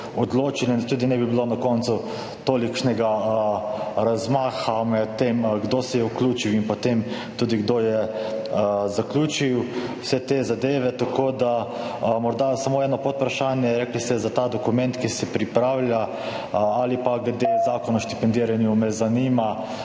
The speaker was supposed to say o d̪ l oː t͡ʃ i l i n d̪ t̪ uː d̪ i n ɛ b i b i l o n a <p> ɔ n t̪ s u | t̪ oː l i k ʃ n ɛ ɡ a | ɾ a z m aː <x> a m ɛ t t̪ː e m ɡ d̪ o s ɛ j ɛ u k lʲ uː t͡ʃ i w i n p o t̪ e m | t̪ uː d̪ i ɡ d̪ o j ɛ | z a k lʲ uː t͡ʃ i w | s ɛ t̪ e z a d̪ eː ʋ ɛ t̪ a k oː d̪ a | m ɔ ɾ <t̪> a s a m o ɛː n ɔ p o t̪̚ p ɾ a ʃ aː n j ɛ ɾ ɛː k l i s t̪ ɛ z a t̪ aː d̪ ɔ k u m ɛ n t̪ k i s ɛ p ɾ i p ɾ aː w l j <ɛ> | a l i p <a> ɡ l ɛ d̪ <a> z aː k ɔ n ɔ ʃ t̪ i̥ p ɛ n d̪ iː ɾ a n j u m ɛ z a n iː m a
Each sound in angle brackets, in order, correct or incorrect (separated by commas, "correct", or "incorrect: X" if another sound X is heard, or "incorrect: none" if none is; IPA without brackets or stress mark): incorrect: k, correct, incorrect: d̪, incorrect: a, correct, incorrect: e